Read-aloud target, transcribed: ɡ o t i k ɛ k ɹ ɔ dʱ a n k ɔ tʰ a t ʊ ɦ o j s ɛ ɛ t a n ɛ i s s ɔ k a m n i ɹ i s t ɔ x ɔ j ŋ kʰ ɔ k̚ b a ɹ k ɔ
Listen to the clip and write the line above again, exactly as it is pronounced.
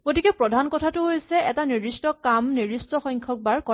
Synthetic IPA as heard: ɡ o t i k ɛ p ɹ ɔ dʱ a n k ɔ tʰ a t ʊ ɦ o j s ɛ ɛ t a n i i s t ɔ k a m n i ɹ i s t ɔ x ɔ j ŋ kʰ ɔ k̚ b a ɹ k ɔ